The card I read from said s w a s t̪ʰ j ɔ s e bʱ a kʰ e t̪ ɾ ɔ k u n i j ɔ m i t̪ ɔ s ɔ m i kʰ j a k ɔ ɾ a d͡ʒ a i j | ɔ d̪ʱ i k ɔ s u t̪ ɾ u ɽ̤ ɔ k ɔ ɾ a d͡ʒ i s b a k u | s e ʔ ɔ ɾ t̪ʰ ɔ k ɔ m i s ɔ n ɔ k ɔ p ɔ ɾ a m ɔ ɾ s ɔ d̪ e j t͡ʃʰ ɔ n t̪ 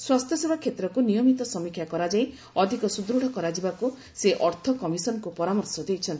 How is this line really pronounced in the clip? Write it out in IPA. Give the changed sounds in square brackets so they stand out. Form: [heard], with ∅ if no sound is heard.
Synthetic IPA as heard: s w a s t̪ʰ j ɔ s e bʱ a kʰ e t̪ ɾ ɔ k u n i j ɔ m i t̪ ɔ s ɔ m i kʰ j a k ɔ ɾ a d͡ʒ a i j | ɔ d̪ʱ i k ɔ s u [d̪] ɾ u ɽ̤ ɔ k ɔ ɾ a d͡ʒ i [∅] b a k u | s e ʔ ɔ ɾ t̪ʰ ɔ k ɔ m i s ɔ n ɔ k [u] p ɔ ɾ a m ɔ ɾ s ɔ d̪ e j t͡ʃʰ ɔ n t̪